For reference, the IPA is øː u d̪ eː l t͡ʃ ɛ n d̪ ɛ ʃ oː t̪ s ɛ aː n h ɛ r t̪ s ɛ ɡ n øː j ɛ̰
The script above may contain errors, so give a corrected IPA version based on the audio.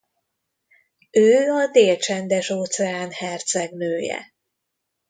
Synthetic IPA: øː ɒ d̪ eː l t͡ʃ ɛ n d̪ ɛ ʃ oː t̪ s ɛ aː n h ɛ r t̪ s ɛ ɡ n øː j ɛ̰